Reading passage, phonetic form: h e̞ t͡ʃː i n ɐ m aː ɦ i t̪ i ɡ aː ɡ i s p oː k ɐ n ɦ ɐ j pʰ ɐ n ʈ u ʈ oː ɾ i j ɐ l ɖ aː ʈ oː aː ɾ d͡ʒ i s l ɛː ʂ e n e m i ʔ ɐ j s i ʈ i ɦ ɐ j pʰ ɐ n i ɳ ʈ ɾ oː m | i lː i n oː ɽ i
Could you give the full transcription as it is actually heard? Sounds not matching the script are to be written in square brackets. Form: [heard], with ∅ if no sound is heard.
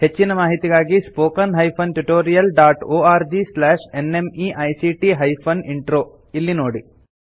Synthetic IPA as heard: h e̞ t͡ʃː i n ɐ m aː ɦ i t̪ i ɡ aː ɡ i s p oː k ɐ n ɦ ɐ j pʰ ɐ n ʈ u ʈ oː ɾ i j ɐ l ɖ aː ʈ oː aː ɾ d͡ʒ i s l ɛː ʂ e n e m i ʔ ɐ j s i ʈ i ɦ ɐ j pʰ ɐ n i ɳ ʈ ɾ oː [∅] | i lː i n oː ɽ i